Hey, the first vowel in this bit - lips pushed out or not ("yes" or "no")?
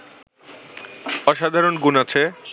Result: yes